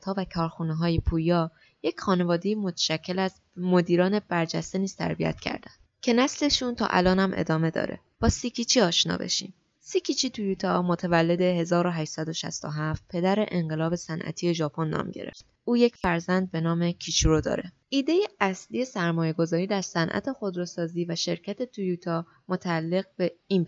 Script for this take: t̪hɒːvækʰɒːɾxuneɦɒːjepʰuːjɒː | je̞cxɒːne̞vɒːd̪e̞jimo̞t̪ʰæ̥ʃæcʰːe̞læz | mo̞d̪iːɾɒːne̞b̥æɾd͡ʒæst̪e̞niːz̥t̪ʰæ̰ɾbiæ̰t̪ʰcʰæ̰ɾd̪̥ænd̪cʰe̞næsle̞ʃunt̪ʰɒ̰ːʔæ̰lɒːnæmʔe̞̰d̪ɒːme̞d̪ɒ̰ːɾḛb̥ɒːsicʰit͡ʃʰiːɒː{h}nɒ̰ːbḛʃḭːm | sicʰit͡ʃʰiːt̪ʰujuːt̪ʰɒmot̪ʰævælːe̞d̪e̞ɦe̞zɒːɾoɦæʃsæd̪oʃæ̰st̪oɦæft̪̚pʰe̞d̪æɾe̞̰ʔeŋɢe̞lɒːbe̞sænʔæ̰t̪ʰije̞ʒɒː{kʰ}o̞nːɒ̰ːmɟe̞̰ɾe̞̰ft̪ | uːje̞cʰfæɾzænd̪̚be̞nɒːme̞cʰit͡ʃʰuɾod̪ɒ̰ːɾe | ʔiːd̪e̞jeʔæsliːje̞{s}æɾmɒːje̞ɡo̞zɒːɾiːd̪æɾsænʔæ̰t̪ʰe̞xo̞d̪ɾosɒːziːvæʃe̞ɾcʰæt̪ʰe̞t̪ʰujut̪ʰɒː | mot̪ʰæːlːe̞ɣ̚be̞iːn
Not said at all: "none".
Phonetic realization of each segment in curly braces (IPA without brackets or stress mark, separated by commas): ʃ, pʰ, s